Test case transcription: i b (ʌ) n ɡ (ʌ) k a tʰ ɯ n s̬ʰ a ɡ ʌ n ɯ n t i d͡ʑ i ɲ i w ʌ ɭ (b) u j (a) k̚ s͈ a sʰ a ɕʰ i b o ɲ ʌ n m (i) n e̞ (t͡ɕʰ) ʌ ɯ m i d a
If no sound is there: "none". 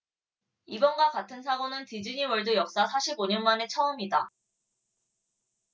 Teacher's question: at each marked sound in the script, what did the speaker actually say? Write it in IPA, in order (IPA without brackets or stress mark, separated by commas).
ʌ, a, d, ʌ, a, t͡ɕʰ